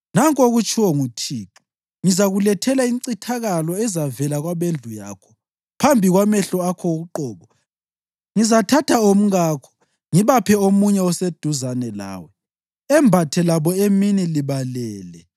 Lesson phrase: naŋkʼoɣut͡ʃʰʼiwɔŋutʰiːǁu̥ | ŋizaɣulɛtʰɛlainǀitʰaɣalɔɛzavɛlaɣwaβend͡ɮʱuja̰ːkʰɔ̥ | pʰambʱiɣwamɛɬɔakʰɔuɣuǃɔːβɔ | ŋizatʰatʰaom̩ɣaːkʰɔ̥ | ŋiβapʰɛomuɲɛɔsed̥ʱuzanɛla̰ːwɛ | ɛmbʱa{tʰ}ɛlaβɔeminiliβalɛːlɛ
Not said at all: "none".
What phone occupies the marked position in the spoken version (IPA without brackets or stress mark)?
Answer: tʰ